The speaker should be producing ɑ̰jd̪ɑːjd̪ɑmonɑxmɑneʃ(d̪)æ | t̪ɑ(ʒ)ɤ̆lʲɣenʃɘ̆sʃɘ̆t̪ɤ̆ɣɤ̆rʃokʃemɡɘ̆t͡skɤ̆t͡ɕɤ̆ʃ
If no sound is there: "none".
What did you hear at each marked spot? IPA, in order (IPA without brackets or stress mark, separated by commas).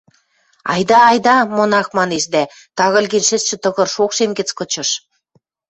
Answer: d̪, ɣ